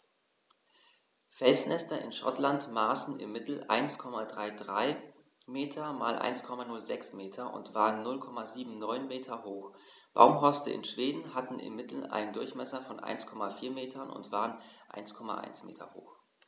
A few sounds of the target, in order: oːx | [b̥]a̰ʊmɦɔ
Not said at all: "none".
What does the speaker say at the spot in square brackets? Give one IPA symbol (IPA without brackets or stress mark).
b̥